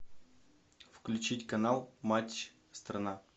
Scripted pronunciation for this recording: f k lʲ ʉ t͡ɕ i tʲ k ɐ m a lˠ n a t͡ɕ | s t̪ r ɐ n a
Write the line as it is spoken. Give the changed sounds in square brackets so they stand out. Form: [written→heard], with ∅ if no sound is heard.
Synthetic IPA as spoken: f k lʲ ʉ t͡ɕ i tʲ k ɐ [m→n] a lˠ [n→m] a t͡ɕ | s t̪ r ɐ n a